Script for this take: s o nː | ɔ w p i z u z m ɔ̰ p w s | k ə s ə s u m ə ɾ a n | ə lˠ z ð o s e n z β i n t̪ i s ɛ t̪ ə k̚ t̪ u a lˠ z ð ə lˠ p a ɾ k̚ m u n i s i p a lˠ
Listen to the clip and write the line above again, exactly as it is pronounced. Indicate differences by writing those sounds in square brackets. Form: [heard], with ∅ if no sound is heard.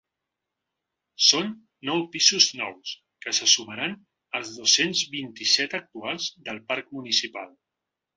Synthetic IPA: s o nː | ɔ w p i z u z [n] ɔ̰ [∅] w s | k ə s ə s u m ə ɾ a n | ə lˠ z ð o s e n z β i n t̪ i s ɛ t̪ ə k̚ t̪ u a lˠ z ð ə lˠ p a ɾ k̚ m u n i s i p a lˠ